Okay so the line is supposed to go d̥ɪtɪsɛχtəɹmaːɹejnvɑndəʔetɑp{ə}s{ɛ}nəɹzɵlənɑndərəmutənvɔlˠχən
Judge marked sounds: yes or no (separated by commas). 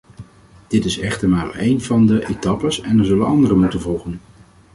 yes, yes